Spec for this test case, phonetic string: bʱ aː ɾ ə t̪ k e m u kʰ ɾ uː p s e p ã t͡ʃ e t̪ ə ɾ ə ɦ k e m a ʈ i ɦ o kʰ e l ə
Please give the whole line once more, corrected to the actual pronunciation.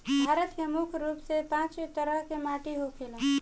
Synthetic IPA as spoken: bʱ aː ɾ ə t̪ k e m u kʰ ɾ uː p s e p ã t͡ʃ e t̪ ə ɾ ə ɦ k e m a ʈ i ɦ o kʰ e l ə